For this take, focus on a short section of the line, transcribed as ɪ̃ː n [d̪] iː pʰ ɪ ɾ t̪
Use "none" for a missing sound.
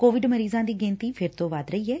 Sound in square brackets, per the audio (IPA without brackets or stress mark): t̪